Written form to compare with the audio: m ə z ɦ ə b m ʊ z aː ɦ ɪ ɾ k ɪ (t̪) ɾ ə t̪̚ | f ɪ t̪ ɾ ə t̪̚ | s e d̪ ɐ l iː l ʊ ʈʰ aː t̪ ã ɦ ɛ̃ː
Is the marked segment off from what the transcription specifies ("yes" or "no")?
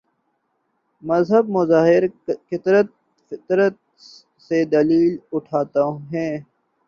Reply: no